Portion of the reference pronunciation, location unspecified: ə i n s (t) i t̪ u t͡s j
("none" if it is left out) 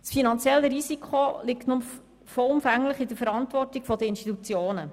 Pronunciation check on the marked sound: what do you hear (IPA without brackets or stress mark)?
t